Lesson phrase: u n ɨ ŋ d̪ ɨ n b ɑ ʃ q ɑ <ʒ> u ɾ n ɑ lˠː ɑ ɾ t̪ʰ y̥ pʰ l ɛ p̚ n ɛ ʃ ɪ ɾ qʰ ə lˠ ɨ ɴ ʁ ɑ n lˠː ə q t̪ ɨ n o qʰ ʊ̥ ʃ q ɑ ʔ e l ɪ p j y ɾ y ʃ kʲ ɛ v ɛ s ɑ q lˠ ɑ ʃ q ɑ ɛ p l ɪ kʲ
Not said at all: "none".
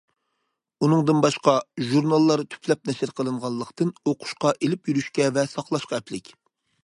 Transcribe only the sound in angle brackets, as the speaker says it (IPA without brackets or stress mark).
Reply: ʒ